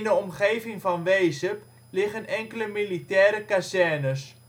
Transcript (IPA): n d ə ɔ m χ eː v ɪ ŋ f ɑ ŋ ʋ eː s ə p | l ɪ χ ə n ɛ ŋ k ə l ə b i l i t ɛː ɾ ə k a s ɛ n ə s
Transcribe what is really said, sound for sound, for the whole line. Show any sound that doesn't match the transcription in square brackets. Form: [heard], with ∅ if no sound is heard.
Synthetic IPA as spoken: n d ə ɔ m χ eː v ɪ ŋ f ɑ [n] ʋ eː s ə p | l ɪ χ ə n ɛ ŋ k ə l ə [m] i l i t ɛː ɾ ə k a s ɛ n ə s